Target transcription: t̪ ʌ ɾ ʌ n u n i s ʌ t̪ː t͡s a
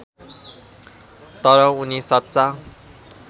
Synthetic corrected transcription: t̪ ʌ ɾ ʌ u n i s ʌ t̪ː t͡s a

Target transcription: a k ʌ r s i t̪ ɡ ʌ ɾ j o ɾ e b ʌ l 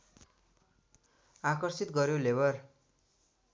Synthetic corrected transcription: a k ʌ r s i t̪ ɡ ʌ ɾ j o l e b ʌ r

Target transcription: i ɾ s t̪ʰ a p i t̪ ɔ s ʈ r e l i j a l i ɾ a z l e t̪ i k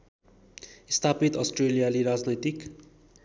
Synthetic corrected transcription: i s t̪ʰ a p i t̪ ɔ s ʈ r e l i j a l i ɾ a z l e t̪ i k

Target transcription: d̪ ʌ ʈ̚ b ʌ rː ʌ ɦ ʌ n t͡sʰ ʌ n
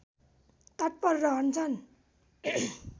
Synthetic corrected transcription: t̪ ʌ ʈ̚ p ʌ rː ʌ ɦ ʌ n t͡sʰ ʌ n

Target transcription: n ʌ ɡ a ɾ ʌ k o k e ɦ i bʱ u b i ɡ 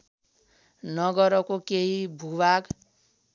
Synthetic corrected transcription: n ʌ ɡ ʌ ɾ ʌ k o k e ɦ i bʱ u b a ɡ

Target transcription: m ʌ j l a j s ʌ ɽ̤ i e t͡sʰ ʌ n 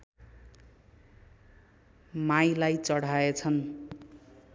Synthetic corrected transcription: m a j l a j t͡s ʌ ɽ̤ a e t͡sʰ ʌ n

